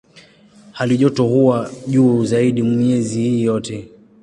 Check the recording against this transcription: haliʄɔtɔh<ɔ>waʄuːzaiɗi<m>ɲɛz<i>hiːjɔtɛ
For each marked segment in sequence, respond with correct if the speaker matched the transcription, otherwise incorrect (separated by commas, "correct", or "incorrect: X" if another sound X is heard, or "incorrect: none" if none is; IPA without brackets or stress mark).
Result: incorrect: u, correct, correct